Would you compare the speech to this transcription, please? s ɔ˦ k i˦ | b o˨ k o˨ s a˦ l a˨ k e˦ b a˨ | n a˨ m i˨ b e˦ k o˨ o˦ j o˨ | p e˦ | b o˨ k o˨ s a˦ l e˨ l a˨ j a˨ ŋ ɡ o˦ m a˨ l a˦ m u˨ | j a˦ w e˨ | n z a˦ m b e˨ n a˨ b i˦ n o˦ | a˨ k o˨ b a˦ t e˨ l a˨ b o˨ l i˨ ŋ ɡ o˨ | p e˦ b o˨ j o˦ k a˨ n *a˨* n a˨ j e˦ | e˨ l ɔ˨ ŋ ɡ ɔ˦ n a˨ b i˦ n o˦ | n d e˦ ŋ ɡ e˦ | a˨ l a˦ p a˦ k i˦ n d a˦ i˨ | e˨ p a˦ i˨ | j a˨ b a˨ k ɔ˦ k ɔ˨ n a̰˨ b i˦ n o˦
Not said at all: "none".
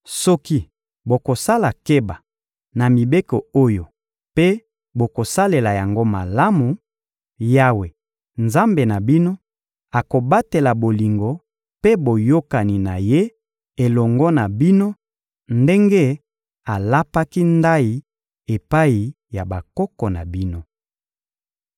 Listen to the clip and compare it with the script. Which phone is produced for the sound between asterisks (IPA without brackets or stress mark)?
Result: i˨